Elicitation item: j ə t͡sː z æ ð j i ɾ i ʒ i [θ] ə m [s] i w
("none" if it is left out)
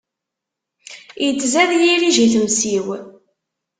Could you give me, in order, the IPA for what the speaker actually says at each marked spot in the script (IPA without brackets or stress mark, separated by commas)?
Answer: θ, s